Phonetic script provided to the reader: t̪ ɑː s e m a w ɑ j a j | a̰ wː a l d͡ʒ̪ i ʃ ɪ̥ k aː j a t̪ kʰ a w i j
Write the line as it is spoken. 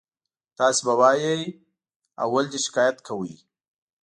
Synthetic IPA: t̪ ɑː s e b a w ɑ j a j | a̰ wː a l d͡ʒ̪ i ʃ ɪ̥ k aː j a t̪ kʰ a w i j